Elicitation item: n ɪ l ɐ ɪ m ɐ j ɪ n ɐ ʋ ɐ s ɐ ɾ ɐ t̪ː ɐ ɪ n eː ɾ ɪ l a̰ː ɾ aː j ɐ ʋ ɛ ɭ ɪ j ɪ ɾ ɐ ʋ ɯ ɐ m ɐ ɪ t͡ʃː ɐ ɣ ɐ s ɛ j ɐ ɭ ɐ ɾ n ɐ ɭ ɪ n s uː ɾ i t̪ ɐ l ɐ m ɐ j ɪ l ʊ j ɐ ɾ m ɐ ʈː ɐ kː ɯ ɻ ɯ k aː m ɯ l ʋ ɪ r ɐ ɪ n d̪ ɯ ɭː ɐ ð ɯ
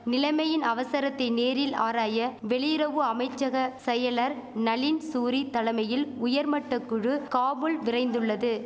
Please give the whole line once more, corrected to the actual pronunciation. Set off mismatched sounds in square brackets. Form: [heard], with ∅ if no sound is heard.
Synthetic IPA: n ɪ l ɐ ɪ m ɐ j ɪ n ɐ ʋ ɐ s ɐ ɾ ɐ t̪ː ɐ ɪ n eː ɾ ɪ l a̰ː ɾ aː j ɐ ʋ ɛ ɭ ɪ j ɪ ɾ ɐ ʋ ɯ ɐ m ɐ ɪ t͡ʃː ɐ ɣ ɐ s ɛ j ɐ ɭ ɐ ɾ n ɐ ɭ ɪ n s uː ɾ i t̪ ɐ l ɐ m ɐ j ɪ l ʊ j ɐ ɾ m ɐ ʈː ɐ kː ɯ ɻ ɯ k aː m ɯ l ʋ ɪ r ɐ ɪ n d̪ ɯ ɭː ɐ ð ɯ

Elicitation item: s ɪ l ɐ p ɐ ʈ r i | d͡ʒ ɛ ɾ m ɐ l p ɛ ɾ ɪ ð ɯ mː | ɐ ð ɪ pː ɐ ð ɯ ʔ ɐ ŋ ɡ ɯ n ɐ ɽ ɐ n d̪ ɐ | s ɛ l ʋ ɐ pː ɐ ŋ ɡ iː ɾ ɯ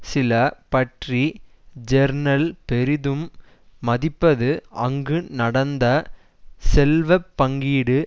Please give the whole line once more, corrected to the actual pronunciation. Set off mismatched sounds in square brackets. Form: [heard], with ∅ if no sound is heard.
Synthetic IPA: s ɪ l ɐ p ɐ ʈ r i | d͡ʒ ɛ ɾ [n] ɐ l p ɛ ɾ ɪ ð ɯ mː | ɐ ð ɪ pː ɐ ð ɯ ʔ ɐ ŋ ɡ ɯ n ɐ ɽ ɐ n d̪ ɐ | s ɛ l ʋ ɐ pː ɐ ŋ ɡ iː [ɽ] ɯ

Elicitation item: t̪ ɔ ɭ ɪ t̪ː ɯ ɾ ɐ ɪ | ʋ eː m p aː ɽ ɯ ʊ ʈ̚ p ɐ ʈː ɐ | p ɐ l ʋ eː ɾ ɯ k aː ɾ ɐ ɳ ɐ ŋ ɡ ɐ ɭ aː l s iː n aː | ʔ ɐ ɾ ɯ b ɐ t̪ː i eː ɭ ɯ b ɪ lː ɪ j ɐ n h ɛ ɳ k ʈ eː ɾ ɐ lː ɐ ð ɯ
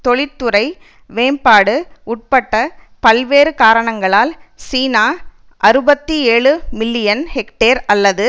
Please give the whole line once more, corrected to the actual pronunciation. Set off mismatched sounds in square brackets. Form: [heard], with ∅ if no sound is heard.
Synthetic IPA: t̪ ɔ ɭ ɪ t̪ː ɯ ɾ ɐ ɪ | ʋ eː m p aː ɽ ɯ ʊ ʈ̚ p ɐ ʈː ɐ | p ɐ l ʋ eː ɾ ɯ k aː ɾ ɐ ɳ ɐ ŋ ɡ ɐ ɭ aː l s iː n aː | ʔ ɐ ɾ ɯ b ɐ t̪ː i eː ɭ ɯ [m] ɪ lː ɪ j ɐ n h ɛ [∅] k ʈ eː ɾ ɐ lː ɐ ð ɯ

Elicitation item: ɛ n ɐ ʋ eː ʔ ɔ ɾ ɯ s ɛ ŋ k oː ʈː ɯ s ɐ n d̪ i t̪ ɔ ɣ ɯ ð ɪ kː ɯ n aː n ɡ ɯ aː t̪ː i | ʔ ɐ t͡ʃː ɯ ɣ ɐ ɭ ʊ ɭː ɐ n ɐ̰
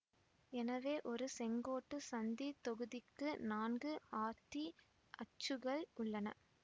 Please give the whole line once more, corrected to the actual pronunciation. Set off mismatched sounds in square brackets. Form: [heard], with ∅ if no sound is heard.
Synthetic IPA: ɛ n ɐ ʋ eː ʔ ɔ ɾ ɯ s ɛ ŋ [ɡ] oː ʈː ɯ s ɐ n d̪ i t̪ ɔ ɣ ɯ ð ɪ kː ɯ n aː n ɡ ɯ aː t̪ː i | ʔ ɐ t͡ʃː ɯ ɣ ɐ ɭ ʊ ɭː ɐ n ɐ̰

